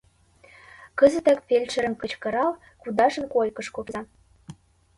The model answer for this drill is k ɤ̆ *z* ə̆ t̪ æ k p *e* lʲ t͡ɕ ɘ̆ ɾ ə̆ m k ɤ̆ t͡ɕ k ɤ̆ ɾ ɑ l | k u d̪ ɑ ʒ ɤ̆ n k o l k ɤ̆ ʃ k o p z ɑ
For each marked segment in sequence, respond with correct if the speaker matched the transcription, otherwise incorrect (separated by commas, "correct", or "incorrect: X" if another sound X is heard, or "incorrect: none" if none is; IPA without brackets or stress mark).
correct, correct